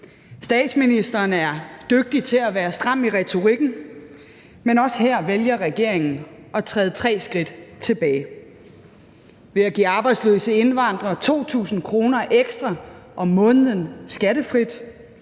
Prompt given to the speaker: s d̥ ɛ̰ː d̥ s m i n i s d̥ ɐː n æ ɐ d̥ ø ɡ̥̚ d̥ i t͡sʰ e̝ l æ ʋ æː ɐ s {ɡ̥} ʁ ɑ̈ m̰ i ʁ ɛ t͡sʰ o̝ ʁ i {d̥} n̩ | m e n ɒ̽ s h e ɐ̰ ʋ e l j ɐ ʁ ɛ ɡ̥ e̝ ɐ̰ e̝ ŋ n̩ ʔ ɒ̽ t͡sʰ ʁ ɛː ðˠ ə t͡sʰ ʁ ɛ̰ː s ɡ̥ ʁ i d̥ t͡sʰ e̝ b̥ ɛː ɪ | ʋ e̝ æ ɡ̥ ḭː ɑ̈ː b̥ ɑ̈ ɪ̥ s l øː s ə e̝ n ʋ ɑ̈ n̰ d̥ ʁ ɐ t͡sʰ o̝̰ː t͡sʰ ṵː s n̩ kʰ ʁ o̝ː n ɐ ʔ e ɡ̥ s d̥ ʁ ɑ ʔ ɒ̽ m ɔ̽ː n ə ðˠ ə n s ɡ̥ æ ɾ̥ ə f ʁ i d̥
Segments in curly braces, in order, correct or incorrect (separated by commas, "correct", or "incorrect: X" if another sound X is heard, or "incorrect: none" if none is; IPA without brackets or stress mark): incorrect: d̥, incorrect: ɡ̥